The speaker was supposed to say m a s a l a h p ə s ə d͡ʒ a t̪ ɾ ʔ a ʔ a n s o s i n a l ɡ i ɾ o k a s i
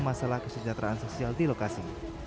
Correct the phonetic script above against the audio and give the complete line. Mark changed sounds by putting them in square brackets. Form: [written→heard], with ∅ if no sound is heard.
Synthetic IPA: m a s a l a h [p→k] ə s ə d͡ʒ a t̪ ɾ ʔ a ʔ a n s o s i [n→∅] a l [ɡ→d] i [ɾ→l] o k a s i